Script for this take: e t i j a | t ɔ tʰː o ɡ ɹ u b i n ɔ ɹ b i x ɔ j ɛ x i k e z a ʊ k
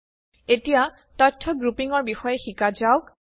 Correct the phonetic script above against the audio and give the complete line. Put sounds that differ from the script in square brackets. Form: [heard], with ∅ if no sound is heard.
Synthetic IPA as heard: e t i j a | t ɔ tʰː [ɔ] ɡ ɹ u [p] i [ŋ] ɔ ɹ b i x ɔ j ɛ x i k [a] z a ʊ k